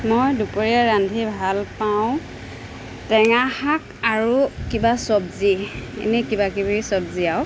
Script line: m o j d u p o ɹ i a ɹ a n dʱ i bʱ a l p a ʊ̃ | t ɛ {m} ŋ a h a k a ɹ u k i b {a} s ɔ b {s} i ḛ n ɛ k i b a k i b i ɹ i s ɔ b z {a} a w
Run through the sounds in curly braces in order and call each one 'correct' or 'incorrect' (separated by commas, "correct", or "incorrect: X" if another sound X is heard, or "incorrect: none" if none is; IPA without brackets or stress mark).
incorrect: none, correct, incorrect: z, incorrect: i